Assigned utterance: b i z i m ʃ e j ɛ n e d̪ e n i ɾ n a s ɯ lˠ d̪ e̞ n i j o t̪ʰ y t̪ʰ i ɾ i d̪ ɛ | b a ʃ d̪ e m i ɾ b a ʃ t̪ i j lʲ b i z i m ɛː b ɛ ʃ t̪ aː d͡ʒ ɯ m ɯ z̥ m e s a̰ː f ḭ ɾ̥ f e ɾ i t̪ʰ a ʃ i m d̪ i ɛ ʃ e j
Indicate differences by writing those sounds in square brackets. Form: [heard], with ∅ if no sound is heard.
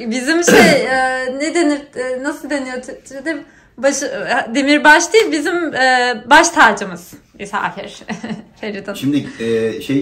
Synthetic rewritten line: b i z i m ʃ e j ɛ n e d̪ e n i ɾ n a s ɯ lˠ d̪ e̞ n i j o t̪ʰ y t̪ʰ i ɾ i d̪ ɛ | b a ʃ d̪ e m i ɾ b a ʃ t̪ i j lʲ b i z i m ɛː b [a] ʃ [t̪ʰ] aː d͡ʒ ɯ m ɯ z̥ m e s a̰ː f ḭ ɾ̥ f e ɾ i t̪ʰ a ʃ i m d̪ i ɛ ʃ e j